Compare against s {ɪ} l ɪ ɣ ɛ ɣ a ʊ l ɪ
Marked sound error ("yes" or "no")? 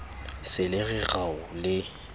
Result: no